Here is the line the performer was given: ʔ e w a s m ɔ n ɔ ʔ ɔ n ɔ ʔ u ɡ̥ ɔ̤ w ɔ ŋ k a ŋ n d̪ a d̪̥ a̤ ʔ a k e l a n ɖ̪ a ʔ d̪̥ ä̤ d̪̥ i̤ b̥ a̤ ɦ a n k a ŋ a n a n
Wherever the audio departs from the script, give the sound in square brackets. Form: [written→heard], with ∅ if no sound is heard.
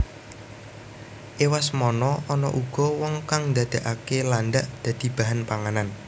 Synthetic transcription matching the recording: ʔ e w a s m ɔ n ɔ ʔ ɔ n ɔ ʔ u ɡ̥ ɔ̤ w ɔ ŋ k a ŋ n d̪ a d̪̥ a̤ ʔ a k e l a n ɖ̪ a ʔ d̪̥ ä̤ d̪̥ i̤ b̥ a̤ ɦ a n [k→p] a ŋ a n a n